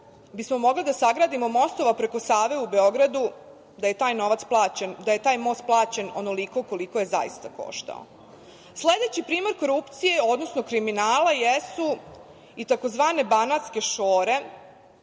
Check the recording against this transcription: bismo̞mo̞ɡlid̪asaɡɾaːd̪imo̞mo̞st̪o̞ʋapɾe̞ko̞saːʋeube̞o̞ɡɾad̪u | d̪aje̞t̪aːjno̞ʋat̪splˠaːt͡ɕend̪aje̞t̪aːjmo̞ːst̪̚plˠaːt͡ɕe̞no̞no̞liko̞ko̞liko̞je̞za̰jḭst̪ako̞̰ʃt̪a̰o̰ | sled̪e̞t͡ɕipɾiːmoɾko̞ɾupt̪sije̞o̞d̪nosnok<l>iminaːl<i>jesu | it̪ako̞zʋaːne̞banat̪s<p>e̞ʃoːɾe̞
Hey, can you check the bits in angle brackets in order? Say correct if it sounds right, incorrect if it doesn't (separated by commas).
incorrect, incorrect, incorrect